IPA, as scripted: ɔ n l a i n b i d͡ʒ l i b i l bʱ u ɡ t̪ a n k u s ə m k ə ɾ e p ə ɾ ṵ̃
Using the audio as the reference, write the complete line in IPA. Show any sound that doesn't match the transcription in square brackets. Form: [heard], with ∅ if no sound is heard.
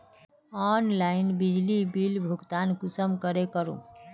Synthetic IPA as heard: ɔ n l a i n b i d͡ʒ l i b i l bʱ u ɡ t̪ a n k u s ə m k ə ɾ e [k] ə ɾ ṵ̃